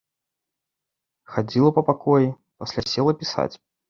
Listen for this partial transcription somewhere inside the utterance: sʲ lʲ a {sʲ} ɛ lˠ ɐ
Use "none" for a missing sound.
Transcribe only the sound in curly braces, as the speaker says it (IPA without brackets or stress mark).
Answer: sʲ